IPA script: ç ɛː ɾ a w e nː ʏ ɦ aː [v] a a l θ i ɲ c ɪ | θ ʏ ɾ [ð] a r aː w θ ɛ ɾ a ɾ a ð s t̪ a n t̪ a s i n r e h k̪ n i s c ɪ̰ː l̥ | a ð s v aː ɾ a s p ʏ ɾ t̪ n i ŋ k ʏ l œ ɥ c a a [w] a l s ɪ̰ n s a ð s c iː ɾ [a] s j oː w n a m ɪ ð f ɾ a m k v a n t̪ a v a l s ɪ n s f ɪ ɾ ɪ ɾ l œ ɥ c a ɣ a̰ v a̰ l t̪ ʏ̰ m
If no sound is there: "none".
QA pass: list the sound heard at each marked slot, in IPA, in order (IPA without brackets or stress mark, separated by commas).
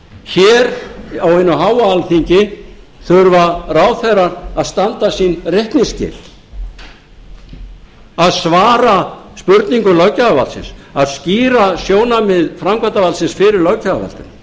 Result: w, v, v, a